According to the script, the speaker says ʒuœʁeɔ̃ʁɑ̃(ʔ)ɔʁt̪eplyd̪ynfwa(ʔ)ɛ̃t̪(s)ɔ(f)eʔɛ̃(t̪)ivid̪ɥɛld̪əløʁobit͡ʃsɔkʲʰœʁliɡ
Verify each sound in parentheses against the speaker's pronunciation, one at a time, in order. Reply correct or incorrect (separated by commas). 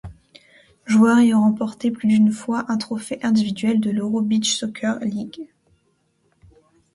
incorrect, correct, incorrect, correct, incorrect